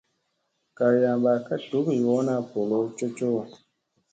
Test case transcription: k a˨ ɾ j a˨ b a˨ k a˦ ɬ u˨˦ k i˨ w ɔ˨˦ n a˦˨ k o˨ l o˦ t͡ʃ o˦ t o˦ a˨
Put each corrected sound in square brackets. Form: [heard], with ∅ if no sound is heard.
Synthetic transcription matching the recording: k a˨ ɾ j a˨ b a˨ k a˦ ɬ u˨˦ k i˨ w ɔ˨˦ n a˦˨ [p] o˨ l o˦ t͡ʃ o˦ [t͡ʃ] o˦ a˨